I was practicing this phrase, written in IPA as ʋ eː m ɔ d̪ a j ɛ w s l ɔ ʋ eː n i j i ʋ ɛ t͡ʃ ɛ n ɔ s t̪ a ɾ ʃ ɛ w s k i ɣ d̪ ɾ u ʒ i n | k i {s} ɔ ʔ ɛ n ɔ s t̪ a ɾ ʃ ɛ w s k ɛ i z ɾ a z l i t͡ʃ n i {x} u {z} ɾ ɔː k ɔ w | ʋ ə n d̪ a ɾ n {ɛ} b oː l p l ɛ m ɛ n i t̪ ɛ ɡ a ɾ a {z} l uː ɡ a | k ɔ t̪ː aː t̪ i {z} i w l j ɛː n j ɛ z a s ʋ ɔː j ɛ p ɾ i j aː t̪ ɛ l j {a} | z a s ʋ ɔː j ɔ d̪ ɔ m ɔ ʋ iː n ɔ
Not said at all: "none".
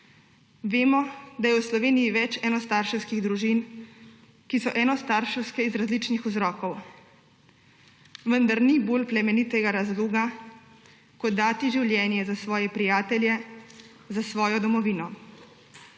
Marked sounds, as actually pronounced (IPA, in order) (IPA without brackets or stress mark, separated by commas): s, x, z, i, z, ʒ, ɛ